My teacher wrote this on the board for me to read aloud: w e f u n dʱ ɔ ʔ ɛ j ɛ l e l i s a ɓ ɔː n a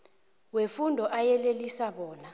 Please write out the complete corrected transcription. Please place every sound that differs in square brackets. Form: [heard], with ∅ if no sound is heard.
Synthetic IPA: w e f u n dʱ ɔ ʔ [a] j ɛ l e l i s a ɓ ɔː n a